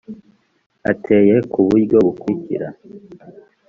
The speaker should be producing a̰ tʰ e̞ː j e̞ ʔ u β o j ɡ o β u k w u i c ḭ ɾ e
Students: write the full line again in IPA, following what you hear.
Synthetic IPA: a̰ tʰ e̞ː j e̞ k u β u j ɡ o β u k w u i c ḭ ɾ a